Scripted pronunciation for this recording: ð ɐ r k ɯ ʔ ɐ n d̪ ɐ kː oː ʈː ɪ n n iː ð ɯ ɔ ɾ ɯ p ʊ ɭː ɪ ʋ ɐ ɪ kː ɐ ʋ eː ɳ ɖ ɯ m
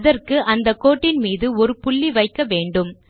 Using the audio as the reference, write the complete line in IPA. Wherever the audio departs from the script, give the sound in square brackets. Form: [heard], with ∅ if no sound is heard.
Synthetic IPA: ð ɐ r k ɯ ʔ ɐ n d̪ ɐ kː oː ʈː ɪ n [m] iː ð ɯ ɔ ɾ ɯ p ʊ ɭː [i] ʋ ɐ ɪ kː ɐ ʋ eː ɳ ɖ ɯ m